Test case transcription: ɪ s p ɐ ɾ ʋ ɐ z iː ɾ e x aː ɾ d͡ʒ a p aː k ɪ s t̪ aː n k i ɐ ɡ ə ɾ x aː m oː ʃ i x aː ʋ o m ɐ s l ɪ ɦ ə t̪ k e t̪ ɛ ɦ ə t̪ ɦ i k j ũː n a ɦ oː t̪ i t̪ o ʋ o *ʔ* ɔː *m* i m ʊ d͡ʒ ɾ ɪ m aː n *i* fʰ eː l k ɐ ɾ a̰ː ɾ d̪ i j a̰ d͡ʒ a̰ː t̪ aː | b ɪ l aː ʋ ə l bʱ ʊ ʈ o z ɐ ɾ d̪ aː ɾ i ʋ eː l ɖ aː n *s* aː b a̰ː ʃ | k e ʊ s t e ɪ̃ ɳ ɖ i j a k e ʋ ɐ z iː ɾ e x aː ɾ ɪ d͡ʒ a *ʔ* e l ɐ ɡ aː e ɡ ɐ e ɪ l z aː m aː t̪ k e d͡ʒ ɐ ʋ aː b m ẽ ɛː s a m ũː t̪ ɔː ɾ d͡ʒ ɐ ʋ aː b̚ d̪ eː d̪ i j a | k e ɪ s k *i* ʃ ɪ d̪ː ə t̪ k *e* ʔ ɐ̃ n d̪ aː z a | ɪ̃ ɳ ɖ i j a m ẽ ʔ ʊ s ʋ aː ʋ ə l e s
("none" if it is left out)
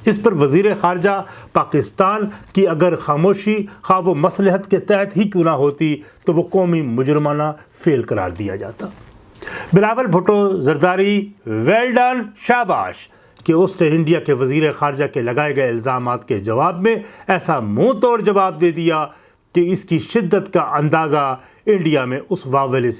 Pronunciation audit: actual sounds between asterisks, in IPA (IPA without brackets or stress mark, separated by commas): k, m, a, ʃ, k, i, a